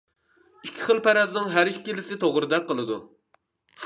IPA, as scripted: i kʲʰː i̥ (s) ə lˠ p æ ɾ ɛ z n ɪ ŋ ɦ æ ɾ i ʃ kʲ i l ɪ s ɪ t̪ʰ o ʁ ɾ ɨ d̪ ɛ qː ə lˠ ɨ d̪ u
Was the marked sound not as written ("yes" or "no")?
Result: yes